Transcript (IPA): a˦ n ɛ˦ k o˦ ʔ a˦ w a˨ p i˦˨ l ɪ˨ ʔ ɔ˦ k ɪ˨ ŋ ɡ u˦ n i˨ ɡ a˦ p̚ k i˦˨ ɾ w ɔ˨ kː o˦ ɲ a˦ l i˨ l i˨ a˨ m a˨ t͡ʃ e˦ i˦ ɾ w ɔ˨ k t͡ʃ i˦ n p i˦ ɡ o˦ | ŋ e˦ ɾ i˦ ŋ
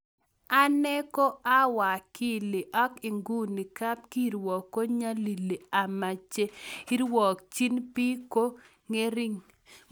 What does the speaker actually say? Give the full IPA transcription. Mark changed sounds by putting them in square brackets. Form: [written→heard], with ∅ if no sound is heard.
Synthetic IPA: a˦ n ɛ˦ k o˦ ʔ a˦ w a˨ [p→k] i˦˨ l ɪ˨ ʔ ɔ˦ k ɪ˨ ŋ ɡ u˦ n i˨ [ɡ→k] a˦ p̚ k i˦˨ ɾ w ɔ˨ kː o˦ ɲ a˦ l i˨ l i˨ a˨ m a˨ t͡ʃ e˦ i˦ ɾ w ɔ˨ k t͡ʃ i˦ n p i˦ [ɡ→k] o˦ | ŋ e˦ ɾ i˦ ŋ

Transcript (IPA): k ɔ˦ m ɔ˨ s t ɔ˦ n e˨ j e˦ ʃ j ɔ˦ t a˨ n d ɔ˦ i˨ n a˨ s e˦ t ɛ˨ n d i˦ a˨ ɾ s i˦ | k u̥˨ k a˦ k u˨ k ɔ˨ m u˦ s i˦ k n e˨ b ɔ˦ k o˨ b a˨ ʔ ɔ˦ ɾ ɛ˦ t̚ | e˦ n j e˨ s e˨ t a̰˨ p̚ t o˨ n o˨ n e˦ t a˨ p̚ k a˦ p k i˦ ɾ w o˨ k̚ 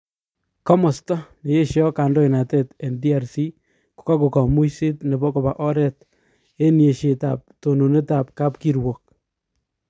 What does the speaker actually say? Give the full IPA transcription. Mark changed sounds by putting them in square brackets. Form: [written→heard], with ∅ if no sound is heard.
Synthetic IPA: k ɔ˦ m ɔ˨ s t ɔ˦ n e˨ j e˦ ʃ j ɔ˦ [t→k] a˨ n d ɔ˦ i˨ n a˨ [s→t] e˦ t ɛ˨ n d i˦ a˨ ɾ s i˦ | k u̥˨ k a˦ k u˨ k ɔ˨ m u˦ s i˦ [k→t] n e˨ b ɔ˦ k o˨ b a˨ ʔ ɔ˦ ɾ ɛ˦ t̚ | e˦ n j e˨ [s→ʃ] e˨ t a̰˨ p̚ t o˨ n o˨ n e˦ t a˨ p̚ k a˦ p k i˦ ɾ w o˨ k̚

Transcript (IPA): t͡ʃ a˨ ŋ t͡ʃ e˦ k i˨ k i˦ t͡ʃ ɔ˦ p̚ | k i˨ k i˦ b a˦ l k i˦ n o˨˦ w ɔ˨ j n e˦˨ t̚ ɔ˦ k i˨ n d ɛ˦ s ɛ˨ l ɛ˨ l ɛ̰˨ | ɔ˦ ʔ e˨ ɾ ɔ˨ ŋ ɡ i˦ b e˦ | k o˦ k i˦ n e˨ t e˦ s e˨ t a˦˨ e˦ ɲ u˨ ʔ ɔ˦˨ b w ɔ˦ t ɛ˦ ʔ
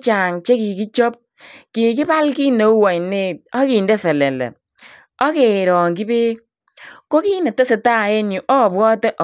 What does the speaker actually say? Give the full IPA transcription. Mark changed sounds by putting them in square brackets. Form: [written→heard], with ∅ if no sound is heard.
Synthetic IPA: t͡ʃ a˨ ŋ t͡ʃ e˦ k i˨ k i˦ t͡ʃ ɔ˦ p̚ | k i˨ k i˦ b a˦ l k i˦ n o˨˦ w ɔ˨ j n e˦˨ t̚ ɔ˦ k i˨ n d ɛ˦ s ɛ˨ l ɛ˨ l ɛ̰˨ | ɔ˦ [ʔ→k] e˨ ɾ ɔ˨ ŋ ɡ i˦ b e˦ | k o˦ k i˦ n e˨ t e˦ s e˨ t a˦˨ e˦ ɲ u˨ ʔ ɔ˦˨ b w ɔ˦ t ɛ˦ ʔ

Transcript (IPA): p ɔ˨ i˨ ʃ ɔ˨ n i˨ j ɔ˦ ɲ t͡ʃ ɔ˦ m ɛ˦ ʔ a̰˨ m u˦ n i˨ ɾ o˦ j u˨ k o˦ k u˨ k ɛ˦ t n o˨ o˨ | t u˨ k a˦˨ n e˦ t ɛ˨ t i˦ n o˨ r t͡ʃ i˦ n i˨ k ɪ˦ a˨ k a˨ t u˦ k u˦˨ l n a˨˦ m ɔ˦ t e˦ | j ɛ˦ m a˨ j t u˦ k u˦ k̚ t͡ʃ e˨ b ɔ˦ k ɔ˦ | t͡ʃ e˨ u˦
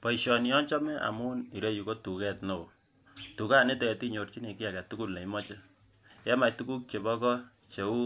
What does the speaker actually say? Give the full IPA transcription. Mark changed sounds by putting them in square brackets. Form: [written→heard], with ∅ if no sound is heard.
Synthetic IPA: p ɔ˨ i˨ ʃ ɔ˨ n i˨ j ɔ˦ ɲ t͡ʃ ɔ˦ m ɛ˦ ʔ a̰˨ m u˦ n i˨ ɾ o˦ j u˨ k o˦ [k→t] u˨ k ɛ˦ t n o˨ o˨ | t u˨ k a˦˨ n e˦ t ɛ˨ t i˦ [n→ɲ] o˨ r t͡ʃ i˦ n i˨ k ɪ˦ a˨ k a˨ t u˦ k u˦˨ l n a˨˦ m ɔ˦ [t→t͡ʃ] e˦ | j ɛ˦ m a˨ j t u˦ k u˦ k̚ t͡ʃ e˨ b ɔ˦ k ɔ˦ | t͡ʃ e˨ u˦

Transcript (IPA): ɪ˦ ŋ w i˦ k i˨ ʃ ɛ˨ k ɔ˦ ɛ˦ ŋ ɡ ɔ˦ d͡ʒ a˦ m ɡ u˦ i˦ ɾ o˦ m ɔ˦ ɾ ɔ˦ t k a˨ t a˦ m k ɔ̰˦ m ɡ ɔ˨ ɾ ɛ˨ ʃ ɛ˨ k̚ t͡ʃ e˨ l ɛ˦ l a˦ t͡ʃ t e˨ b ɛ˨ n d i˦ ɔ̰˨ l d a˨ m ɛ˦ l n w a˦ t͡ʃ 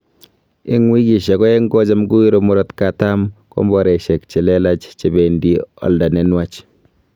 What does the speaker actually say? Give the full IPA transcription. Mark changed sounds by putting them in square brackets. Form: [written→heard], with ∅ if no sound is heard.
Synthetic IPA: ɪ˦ ŋ w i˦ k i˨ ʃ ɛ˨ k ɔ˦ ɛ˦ ŋ ɡ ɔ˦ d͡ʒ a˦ m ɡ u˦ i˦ ɾ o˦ m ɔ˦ ɾ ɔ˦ t k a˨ t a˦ m k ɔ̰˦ m [ɡ→b] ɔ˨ ɾ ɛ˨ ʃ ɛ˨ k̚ t͡ʃ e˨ l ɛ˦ l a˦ t͡ʃ [t→t͡ʃ] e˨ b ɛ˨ n d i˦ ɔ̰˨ l d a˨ [m→n] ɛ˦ [l→∅] n w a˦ t͡ʃ

